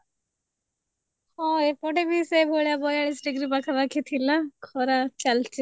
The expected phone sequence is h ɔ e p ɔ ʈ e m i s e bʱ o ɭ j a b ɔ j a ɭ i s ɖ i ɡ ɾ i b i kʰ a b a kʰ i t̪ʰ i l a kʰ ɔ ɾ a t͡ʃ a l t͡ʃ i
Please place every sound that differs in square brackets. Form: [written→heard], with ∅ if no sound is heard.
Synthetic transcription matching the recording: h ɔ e p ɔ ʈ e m i s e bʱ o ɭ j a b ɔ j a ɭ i s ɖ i ɡ ɾ i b [i→a] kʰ a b a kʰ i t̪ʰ i l a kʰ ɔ ɾ a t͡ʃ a l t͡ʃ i